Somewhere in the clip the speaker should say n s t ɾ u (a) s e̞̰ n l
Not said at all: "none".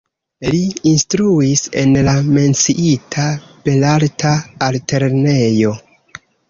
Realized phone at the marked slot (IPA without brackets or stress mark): i